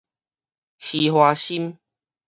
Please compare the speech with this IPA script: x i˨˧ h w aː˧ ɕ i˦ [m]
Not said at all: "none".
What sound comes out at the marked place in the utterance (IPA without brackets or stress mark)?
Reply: m